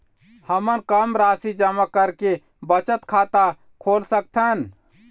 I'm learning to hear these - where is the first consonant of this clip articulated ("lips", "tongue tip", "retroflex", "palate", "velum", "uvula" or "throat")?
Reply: throat